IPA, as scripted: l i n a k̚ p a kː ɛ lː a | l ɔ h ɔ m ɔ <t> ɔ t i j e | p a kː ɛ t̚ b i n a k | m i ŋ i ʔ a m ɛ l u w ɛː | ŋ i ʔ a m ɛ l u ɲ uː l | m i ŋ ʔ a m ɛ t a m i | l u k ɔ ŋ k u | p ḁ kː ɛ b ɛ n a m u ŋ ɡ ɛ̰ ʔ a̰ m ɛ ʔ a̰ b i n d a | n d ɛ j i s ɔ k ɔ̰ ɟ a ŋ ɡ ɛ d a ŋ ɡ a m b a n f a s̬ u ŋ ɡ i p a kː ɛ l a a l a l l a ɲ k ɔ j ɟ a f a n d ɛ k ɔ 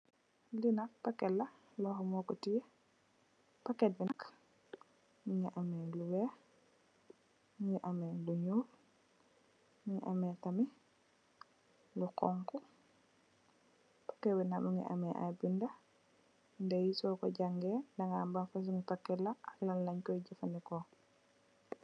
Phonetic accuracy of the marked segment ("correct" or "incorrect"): incorrect